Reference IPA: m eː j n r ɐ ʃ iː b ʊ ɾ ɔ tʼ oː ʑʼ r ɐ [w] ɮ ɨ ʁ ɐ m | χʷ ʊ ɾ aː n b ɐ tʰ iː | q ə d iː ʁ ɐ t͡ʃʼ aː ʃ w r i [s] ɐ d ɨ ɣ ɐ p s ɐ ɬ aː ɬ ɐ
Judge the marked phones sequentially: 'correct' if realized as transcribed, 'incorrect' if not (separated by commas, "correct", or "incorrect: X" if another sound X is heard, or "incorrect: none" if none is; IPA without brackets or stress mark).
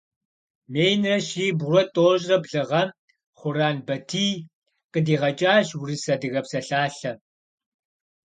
incorrect: b, correct